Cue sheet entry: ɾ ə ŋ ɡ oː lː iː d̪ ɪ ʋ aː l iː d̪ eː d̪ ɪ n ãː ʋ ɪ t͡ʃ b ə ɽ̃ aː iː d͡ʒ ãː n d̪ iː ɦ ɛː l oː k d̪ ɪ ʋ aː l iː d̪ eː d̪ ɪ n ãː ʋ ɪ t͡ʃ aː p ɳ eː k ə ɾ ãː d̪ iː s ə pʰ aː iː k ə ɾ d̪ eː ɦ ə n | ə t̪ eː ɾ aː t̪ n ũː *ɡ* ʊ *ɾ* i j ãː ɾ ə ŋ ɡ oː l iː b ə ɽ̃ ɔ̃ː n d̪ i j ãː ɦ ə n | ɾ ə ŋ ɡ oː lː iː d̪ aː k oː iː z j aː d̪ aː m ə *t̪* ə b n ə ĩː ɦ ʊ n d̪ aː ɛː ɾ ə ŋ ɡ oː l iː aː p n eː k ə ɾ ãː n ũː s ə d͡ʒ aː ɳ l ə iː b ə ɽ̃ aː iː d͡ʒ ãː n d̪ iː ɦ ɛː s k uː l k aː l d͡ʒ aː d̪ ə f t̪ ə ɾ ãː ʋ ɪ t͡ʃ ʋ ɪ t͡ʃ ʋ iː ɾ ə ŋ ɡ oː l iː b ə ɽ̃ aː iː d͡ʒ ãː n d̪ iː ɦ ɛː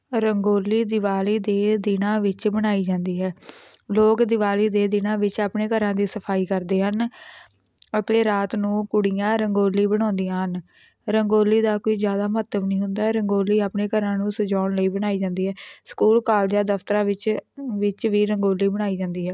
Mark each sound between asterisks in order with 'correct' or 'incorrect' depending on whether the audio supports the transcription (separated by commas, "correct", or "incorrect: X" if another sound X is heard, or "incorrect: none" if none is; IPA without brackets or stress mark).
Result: incorrect: k, incorrect: ɽ, correct